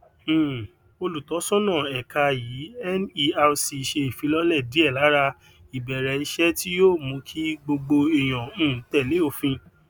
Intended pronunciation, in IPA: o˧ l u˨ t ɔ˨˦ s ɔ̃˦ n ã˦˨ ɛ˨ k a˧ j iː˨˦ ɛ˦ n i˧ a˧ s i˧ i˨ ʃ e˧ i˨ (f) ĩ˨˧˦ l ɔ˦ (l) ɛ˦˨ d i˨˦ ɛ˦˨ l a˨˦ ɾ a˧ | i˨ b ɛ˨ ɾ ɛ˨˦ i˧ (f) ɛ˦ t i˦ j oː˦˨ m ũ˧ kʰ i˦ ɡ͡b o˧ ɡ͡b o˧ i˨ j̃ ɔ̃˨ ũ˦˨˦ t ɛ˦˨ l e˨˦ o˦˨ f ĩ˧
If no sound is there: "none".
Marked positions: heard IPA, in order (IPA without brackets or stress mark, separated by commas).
f, l, ʃ